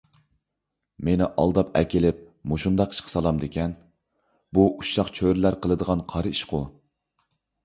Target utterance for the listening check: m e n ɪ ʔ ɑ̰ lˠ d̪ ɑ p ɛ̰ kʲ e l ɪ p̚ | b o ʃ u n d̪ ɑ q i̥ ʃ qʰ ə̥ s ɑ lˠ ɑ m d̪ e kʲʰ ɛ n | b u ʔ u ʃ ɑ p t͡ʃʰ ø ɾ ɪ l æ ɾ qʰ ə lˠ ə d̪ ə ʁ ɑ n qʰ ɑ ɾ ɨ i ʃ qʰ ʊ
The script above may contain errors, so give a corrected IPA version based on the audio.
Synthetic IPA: m e n ɪ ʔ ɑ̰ lˠ d̪ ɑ p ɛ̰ kʲ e l ɪ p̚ | m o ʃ u n d̪ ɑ q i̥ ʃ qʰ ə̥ s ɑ lˠ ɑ m d̪ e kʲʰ ɛ n | b u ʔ u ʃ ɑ q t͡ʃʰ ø ɾ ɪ l æ ɾ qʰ ə lˠ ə d̪ ə ʁ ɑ n qʰ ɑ ɾ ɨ i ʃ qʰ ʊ